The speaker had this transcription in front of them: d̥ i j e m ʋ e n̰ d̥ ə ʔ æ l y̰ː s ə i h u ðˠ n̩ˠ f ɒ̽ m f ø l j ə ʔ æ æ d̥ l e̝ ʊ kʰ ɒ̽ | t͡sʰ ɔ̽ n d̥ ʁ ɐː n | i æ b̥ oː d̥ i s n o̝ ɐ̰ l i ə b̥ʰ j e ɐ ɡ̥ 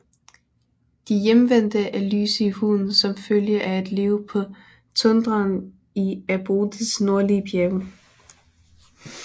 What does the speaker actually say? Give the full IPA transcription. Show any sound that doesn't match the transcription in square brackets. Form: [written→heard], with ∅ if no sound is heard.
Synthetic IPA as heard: d̥ i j e m ʋ e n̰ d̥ ə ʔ æ l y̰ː s ə i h u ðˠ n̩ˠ [f→s] ɒ̽ m f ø l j ə ʔ æ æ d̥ l e̝ ʊ [kʰ→pʰ] ɒ̽ | t͡sʰ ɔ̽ n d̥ ʁ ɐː n | i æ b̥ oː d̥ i s n o̝ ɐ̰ l i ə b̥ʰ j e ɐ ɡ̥

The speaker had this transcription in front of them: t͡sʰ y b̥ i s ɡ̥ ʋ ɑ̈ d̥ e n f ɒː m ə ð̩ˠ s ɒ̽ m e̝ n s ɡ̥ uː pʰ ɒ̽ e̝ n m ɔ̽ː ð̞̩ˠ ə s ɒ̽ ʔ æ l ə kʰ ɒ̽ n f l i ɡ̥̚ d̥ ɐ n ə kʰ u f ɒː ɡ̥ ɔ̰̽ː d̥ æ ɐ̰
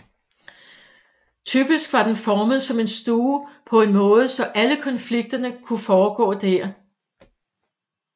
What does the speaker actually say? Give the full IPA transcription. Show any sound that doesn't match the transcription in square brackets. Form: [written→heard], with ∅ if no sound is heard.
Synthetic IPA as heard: t͡sʰ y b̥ i s ɡ̥ ʋ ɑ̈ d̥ e n f ɒː m ə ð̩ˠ s ɒ̽ m e̝ n s [ɡ̥→d̥] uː pʰ ɒ̽ e̝ n m ɔ̽ː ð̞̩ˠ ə s ɒ̽ ʔ æ l ə kʰ ɒ̽ n f l i ɡ̥̚ d̥ ɐ n ə kʰ u f ɒː ɡ̥ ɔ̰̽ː d̥ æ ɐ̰

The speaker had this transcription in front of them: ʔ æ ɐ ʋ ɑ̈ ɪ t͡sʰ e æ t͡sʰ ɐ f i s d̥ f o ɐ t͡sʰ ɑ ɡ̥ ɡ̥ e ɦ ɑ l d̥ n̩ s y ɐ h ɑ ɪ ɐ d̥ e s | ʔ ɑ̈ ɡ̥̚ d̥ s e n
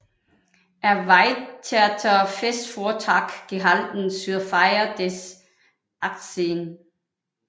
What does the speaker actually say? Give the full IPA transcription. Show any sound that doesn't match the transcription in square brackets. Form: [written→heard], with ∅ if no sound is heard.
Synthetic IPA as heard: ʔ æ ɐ ʋ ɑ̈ ɪ t͡sʰ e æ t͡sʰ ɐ f [i→e] s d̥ f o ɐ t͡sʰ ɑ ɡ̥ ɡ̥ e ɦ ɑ l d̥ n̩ s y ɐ [h→f] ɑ ɪ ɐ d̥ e s | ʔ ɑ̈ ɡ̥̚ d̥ s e n

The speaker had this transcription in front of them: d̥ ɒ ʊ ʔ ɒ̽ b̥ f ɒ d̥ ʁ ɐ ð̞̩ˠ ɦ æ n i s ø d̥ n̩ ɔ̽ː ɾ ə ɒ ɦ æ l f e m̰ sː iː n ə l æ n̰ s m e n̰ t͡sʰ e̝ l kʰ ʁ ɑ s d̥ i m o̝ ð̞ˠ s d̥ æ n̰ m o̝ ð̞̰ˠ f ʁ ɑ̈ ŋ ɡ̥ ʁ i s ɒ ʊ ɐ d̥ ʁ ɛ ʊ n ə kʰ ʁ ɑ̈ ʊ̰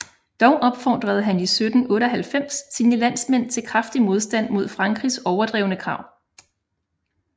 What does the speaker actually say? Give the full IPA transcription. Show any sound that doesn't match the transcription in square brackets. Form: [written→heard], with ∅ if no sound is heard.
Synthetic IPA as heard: d̥ ɒ ʊ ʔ ɒ̽ b̥ f ɒ d̥ ʁ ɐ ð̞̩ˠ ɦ æ n i s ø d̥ n̩ ɔ̽ː ɾ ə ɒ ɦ æ l f e m̰ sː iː n ə l æ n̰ s m e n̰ t͡sʰ e̝ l kʰ ʁ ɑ [s→f] d̥ i m o̝ ð̞ˠ s d̥ æ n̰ m o̝ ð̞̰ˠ f ʁ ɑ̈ ŋ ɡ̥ ʁ i s ɒ ʊ ɐ d̥ ʁ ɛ ʊ n ə kʰ ʁ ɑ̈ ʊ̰

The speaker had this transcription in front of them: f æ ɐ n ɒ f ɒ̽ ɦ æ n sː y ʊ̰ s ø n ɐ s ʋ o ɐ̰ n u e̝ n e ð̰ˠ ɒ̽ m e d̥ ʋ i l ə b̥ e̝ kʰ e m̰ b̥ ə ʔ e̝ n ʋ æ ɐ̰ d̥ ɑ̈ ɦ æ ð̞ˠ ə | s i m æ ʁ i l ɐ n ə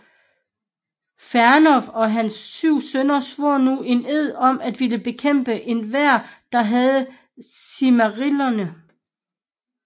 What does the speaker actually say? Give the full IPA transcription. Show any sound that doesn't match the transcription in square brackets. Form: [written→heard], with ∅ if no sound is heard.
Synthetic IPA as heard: f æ ɐ n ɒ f ɒ̽ ɦ æ n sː y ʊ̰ s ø n ɐ s ʋ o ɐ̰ n u e̝ n e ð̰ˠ ɒ̽ m [e→æ] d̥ ʋ i l ə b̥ e̝ kʰ e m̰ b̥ ə ʔ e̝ n ʋ æ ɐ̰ d̥ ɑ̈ ɦ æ ð̞ˠ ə | s i m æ ʁ i l ɐ n ə

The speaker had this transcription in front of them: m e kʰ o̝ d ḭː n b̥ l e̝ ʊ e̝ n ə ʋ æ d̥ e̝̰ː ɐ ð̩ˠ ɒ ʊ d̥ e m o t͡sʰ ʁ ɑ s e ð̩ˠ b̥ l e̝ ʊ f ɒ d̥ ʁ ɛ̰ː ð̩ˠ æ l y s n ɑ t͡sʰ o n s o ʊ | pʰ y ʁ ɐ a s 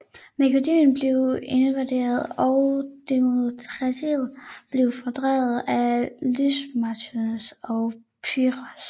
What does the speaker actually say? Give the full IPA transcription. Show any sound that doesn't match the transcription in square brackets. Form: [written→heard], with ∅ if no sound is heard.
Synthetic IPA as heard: m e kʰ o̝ d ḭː n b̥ l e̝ ʊ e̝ n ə ʋ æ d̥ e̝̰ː ɐ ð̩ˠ ɒ ʊ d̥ e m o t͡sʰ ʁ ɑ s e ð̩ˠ b̥ l e̝ ʊ f ɒ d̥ ʁ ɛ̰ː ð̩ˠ æ l y s [n→m] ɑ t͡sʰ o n s [o→ɒ] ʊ | pʰ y ʁ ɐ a s

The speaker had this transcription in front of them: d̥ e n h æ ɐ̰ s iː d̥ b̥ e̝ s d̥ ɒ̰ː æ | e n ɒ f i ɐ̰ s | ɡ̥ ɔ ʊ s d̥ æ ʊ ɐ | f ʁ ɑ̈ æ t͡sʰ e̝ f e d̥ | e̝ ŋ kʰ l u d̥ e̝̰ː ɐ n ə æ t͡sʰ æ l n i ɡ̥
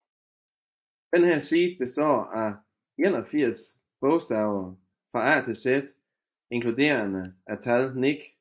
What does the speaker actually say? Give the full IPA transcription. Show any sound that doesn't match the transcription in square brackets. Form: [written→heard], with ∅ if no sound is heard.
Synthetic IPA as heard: d̥ e n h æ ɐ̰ s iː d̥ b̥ e̝ s d̥ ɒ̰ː æ | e n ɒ f i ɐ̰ s | [ɡ̥→b̥] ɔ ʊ s d̥ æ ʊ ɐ | f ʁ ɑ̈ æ t͡sʰ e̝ [f→s] e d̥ | e̝ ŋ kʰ l u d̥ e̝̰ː ɐ n ə æ t͡sʰ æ l n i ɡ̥

